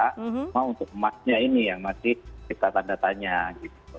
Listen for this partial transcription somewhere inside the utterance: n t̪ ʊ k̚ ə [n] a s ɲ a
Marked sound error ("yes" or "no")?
yes